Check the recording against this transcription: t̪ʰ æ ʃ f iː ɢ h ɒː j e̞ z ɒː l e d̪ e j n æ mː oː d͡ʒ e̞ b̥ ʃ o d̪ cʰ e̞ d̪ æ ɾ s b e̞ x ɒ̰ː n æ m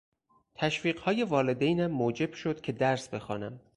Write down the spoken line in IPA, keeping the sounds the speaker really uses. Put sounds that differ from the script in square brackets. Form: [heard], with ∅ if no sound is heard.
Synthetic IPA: t̪ʰ æ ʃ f iː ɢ h ɒː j e̞ [v] ɒː l e d̪ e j n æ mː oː d͡ʒ e̞ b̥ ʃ o d̪ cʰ e̞ d̪ æ ɾ s b e̞ x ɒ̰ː n æ m